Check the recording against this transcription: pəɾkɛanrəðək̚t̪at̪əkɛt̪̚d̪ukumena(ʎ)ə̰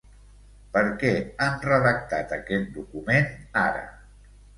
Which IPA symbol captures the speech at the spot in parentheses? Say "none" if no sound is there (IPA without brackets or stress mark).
ɾ